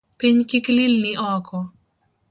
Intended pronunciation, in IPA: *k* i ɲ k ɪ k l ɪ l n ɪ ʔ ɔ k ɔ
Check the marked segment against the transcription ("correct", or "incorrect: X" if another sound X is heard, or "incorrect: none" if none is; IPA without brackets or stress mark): incorrect: p